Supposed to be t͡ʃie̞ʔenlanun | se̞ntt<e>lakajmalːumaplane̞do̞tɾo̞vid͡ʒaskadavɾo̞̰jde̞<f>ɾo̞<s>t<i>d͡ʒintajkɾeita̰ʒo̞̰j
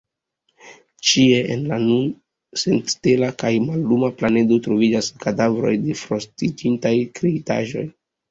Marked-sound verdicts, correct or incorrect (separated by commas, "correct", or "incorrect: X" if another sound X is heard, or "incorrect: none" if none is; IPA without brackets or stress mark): correct, correct, correct, correct